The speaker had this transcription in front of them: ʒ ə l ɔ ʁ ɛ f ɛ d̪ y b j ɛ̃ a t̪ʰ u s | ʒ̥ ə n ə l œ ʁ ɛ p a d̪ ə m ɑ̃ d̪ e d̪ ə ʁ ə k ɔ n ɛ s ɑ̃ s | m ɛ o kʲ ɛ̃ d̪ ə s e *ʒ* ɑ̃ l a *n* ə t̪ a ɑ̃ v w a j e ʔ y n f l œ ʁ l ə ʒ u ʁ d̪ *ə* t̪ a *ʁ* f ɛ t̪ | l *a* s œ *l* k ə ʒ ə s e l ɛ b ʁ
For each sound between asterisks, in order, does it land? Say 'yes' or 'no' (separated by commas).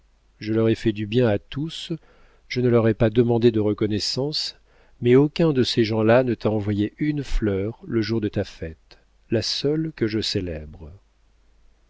yes, yes, yes, no, yes, yes